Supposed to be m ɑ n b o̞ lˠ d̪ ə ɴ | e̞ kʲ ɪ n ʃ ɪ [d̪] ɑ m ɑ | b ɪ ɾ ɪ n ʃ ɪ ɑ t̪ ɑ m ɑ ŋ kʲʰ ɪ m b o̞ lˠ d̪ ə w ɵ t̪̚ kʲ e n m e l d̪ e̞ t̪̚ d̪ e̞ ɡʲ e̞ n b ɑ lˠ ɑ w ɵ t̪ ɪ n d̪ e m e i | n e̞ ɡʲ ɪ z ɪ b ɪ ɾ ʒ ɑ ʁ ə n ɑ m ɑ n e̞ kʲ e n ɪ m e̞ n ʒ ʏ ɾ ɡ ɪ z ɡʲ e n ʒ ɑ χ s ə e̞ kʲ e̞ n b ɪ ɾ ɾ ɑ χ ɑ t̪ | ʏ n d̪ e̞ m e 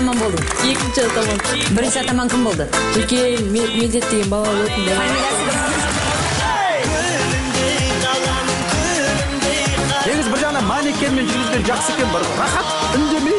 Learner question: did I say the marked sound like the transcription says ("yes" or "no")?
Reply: no